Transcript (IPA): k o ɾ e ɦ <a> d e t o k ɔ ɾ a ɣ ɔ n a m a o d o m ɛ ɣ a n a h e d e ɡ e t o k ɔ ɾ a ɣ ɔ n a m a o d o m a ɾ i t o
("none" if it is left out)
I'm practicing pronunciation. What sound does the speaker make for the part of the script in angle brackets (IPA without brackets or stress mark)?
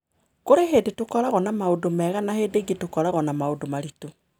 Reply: e